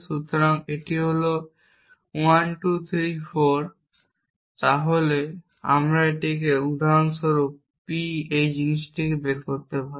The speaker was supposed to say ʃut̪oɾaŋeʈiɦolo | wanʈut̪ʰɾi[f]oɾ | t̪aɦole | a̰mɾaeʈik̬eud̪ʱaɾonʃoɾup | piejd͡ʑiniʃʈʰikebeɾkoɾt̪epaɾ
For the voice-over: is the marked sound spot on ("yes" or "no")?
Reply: yes